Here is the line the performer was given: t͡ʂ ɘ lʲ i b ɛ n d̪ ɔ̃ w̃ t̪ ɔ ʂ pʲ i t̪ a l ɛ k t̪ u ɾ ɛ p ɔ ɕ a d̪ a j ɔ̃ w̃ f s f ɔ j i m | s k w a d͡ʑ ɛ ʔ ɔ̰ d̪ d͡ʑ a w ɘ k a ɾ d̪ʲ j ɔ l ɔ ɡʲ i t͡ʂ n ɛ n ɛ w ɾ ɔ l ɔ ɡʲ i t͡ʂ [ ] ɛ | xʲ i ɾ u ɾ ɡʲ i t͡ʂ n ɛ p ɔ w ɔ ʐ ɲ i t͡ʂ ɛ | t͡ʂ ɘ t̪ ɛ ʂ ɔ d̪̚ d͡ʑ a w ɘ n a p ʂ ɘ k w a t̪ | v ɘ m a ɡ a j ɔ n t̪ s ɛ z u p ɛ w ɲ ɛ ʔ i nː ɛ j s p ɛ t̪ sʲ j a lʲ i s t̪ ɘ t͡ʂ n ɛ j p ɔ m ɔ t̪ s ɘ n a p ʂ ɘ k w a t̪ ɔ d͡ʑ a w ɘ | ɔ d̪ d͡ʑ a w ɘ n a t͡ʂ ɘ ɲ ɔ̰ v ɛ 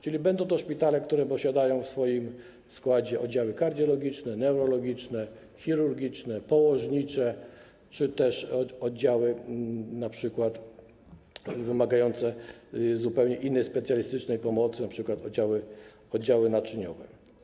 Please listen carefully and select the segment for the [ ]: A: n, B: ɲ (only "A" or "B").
A